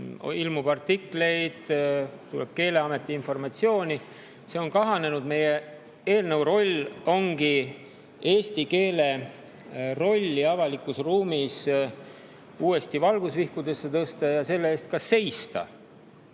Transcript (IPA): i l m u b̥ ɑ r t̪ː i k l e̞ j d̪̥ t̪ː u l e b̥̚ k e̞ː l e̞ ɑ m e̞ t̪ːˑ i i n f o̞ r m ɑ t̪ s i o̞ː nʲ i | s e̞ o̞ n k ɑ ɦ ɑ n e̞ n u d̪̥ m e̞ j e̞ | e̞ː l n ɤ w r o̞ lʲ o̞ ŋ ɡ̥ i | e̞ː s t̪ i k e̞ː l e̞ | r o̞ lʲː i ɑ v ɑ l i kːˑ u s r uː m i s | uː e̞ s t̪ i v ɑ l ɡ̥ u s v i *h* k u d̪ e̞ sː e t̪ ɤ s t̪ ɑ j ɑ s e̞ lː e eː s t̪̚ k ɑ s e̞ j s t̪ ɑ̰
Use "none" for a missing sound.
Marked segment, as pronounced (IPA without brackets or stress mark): h